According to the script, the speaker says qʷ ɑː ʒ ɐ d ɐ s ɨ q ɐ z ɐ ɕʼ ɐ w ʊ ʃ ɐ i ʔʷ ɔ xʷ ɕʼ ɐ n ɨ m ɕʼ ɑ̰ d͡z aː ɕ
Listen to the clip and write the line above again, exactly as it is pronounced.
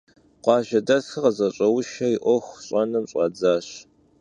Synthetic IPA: qʷ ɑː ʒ ɐ d ɐ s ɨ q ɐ z ɐ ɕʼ ɐ w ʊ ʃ ɐ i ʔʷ ɔ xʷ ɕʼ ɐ n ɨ m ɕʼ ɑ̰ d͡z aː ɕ

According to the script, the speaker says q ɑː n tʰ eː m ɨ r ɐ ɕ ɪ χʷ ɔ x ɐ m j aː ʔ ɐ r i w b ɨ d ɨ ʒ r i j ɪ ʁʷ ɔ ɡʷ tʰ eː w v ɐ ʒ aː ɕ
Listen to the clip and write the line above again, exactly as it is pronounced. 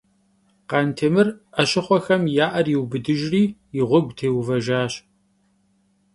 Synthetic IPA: q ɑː n tʰ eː m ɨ r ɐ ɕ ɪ χʷ ɔ x ɐ m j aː ʔ ɐ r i w b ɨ d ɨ ʒ r iː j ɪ ʁʷ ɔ ɡʷ tʰ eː w v ɐ ʒ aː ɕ

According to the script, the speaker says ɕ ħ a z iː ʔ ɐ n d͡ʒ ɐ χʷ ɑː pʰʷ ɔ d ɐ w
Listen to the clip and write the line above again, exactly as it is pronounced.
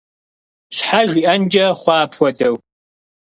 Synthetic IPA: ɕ ħ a ʒ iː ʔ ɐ n d͡ʒ ɐ χʷ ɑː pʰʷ ɔ d ɐ w

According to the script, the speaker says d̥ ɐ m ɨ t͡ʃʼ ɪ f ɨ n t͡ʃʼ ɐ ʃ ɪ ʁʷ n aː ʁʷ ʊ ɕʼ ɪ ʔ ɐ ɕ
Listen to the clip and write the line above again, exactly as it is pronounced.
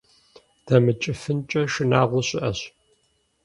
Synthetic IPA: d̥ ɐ m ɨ t͡ʃʼ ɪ f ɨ n t͡ʃʼ ɐ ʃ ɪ n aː ʁʷ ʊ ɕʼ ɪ ʔ ɐ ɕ

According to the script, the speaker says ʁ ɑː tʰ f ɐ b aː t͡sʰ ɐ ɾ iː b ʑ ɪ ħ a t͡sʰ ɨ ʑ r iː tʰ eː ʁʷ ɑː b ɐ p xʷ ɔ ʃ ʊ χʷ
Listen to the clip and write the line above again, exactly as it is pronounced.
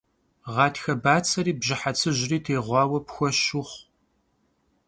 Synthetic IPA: ʁ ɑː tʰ x ɐ b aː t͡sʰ ɐ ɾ iː b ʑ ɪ ħ a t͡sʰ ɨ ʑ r iː tʰ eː ʁʷ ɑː w ɐ p xʷ ɔ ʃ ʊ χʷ

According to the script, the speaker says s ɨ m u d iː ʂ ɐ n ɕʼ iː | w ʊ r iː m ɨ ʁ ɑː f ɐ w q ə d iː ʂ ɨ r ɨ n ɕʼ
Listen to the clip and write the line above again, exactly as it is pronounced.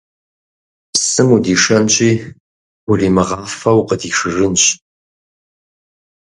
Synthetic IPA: s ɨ m u d iː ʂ ɐ n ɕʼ iː | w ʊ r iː m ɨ ʁ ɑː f ɐ w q ə d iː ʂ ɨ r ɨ n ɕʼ

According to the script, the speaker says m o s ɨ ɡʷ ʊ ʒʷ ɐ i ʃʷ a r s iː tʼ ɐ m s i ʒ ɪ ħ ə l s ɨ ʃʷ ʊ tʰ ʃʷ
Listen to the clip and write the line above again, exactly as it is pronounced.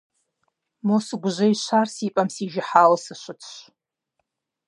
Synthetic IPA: m o s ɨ ɡʷ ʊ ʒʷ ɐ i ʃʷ a r s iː pʼ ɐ m s i ʒ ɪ ħ a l s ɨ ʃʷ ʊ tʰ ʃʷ

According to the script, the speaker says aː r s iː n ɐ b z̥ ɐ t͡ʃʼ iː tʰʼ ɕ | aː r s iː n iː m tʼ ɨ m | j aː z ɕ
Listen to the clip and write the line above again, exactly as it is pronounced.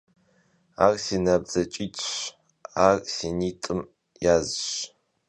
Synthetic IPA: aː r s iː n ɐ b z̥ ɐ t͡ʃʼ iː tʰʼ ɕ | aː r s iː n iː tʼ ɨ m | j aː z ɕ

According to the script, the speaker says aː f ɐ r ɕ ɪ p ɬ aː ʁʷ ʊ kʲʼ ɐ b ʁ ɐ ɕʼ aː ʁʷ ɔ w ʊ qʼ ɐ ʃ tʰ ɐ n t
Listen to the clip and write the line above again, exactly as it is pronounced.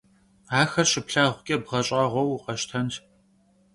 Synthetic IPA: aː x ɐ r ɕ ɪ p ɬ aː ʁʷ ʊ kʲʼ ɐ b ʁ ɐ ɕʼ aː ʁʷ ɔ w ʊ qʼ ɐ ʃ tʰ ɐ n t

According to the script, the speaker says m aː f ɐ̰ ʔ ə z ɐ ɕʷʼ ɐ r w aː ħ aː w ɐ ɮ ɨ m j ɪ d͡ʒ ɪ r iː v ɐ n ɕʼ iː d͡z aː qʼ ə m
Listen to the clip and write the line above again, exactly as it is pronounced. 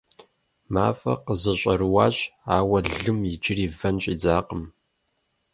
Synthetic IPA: m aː f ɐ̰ q ə z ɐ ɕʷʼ ɐ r w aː ɕ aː w ɐ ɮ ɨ m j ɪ d͡ʒ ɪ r iː v ɐ n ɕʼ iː d͡z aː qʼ ə m

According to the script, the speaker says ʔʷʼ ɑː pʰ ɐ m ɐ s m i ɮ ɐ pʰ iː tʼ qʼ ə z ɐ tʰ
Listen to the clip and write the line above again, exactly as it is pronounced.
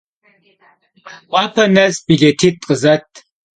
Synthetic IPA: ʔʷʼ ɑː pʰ ɐ n ɐ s b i ɮ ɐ tʰ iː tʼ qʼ ə z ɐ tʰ

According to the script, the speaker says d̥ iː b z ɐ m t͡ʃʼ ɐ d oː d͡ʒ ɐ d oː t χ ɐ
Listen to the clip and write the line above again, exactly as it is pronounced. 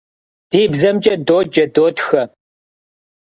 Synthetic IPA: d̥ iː b z ɐ m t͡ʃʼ ɐ d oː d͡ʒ ɐ d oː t x ɐ

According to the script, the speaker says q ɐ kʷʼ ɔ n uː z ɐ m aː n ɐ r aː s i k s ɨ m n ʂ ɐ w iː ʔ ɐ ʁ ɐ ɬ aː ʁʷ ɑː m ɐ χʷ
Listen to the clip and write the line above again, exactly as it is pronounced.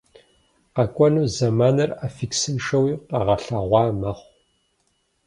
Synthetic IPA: q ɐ kʷʼ ɔ n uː z ɐ m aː n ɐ r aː f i k s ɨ n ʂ ɐ w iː q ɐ ʁ ɐ ɬ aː ʁʷ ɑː m ɐ χʷ

